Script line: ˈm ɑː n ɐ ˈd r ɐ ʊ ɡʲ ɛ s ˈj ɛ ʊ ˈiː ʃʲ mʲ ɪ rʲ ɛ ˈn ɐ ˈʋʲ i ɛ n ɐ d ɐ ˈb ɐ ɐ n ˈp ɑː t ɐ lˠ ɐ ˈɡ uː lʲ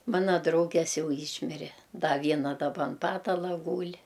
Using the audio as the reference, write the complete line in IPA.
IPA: ˈm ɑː n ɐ ˈd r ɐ ʊ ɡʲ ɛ s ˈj ɛ ʊ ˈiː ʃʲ mʲ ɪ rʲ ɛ ˈd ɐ ˈʋʲ i ɛ n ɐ d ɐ ˈb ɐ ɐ n ˈp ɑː t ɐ lˠ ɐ ˈɡ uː lʲ